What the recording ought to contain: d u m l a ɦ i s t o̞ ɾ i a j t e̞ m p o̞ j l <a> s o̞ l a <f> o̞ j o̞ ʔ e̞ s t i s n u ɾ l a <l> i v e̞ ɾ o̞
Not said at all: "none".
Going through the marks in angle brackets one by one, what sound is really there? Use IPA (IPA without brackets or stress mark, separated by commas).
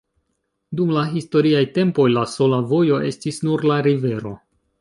a, v, ɾ